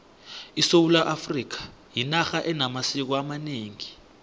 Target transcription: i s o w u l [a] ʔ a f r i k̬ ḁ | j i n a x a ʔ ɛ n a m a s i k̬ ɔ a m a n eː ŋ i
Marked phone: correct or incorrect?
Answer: correct